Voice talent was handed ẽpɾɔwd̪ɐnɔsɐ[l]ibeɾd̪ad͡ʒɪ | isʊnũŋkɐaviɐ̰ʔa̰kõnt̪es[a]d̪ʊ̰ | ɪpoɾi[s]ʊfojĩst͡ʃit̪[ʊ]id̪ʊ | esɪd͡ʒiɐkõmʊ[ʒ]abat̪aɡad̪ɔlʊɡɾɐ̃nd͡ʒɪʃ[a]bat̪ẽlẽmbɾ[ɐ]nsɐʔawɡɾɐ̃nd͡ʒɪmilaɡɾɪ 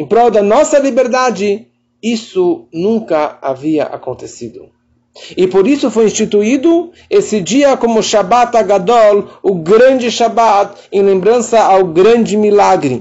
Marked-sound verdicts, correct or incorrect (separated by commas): correct, incorrect, correct, incorrect, incorrect, correct, incorrect